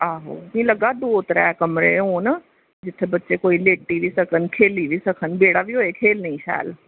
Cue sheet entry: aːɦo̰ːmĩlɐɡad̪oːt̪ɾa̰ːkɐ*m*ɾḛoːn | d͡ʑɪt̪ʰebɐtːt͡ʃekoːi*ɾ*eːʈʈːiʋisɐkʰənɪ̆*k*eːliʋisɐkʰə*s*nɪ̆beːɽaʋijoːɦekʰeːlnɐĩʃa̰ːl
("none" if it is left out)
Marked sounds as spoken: m, l, kʰ, none

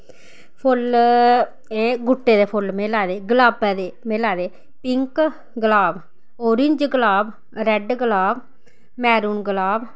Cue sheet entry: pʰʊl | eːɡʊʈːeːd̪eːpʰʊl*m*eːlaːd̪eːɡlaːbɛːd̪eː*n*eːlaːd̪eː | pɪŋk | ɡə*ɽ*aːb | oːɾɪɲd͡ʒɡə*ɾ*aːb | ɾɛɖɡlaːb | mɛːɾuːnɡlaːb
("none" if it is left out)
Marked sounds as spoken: m, m, l, l

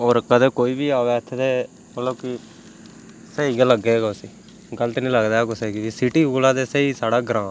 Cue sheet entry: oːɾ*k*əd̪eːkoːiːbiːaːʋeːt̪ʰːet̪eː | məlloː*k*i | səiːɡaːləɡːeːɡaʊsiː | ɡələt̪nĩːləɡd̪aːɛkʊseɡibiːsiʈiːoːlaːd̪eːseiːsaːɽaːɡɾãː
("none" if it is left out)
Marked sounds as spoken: k, k

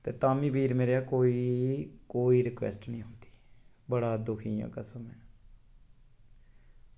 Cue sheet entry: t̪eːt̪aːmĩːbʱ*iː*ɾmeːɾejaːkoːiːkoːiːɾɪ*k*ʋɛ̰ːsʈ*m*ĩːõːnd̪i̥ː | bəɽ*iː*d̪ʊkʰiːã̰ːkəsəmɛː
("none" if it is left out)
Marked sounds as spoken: iː, k, n, aː

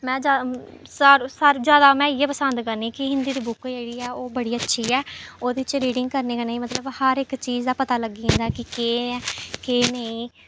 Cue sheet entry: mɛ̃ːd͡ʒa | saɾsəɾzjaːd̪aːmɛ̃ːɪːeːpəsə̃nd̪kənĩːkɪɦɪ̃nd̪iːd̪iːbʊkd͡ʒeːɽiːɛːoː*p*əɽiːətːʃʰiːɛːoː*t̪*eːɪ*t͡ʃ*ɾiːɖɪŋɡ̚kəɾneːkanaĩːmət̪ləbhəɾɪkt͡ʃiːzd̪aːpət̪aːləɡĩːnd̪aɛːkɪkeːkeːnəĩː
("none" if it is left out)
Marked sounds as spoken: b, d̪, t͡ʃ

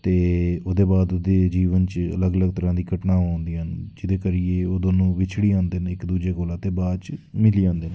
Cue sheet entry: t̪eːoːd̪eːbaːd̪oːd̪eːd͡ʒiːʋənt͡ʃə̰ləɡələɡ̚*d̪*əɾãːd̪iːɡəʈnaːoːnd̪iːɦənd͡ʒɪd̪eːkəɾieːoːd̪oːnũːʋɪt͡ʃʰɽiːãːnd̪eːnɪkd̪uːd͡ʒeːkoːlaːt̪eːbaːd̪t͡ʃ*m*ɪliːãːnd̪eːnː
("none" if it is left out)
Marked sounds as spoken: t̪, m

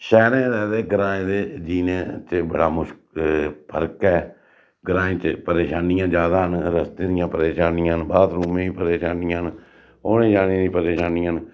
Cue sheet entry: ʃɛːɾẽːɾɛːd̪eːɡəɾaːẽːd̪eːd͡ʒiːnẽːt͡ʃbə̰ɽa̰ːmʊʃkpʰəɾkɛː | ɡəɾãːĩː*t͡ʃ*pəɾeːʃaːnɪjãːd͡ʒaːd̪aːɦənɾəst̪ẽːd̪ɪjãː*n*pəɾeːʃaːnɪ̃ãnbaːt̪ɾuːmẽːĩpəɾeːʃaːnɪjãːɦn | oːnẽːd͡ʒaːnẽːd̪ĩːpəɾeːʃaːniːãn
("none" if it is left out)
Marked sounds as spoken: t͡ʃ, none

